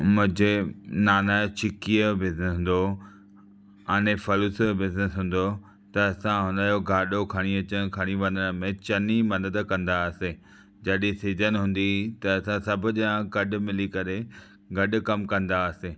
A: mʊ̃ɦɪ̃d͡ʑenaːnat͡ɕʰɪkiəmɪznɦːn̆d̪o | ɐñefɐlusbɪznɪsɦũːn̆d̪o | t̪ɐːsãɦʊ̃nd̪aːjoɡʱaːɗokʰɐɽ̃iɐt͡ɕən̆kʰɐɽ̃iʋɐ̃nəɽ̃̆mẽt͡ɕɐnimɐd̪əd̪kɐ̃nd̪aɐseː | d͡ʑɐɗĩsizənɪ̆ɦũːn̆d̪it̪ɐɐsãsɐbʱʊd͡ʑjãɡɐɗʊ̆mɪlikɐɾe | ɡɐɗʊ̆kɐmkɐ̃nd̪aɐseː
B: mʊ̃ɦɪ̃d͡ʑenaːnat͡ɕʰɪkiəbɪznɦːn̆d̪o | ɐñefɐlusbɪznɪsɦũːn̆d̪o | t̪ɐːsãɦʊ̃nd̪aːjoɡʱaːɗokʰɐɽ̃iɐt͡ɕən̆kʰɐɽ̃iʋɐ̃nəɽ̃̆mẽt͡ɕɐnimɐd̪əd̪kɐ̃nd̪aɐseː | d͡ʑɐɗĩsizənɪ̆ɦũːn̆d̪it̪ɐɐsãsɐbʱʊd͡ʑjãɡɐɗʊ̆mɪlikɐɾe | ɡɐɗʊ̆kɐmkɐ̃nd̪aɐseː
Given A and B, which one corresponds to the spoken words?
B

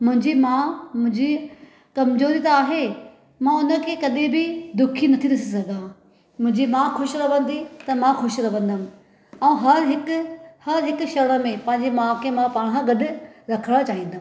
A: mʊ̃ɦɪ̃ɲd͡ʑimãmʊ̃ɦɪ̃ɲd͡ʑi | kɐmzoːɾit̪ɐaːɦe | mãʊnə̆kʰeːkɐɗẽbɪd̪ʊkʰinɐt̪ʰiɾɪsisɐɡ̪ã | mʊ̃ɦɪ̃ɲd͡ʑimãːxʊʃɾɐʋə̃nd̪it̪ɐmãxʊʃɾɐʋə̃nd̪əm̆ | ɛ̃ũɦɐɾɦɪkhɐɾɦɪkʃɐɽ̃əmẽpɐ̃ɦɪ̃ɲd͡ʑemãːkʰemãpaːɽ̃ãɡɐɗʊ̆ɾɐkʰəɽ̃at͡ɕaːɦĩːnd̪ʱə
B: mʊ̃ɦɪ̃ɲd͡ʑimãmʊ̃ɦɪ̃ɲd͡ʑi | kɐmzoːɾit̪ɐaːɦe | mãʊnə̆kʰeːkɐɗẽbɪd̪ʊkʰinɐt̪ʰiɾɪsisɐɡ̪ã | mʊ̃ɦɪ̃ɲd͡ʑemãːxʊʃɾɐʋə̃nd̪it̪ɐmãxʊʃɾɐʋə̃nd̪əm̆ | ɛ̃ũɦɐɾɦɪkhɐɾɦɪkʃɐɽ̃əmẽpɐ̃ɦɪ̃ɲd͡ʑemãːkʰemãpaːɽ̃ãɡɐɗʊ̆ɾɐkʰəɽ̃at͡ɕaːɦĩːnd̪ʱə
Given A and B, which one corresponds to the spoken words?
A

